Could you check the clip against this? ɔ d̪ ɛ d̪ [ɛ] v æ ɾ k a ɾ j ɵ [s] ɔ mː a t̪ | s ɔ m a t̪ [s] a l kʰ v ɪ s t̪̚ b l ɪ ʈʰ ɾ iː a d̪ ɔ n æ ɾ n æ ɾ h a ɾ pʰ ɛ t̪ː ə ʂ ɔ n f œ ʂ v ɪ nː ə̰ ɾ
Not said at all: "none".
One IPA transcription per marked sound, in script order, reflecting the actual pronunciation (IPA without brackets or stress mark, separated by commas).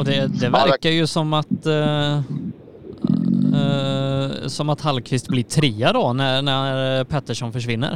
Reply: ɛ, s, h